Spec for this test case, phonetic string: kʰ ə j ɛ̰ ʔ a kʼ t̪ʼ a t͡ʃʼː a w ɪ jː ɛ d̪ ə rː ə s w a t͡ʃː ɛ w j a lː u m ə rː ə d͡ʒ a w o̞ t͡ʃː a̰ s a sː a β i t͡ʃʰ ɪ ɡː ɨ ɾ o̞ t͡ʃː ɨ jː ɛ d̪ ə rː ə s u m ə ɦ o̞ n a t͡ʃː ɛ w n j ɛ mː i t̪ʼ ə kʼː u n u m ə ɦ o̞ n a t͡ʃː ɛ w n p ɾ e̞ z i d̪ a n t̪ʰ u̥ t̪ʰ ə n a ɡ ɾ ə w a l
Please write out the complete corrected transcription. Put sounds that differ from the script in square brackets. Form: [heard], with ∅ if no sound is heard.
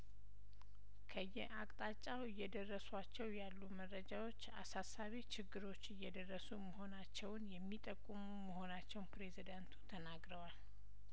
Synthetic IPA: kʰ ə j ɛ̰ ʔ a kʼ t̪ʼ a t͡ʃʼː a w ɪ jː ɛ d̪ ə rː ə s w a t͡ʃː ɛ w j a lː u m ə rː ə d͡ʒ a w o̞ t͡ʃː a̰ s a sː a β i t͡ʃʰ ɪ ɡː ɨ ɾ o̞ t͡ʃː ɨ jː ɛ d̪ ə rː ə s u m ə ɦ o̞ n a t͡ʃː ɛ w n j ɛ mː i t̪ʼ ə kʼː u [m] u m ə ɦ o̞ n a t͡ʃː ɛ w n p ɾ e̞ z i d̪ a n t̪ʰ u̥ t̪ʰ ə n a ɡ ɾ ə w a l